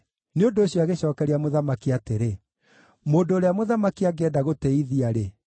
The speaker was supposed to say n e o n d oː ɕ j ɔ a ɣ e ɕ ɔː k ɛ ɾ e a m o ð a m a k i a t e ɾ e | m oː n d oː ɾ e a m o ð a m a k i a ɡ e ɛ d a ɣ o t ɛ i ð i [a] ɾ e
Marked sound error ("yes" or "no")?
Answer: no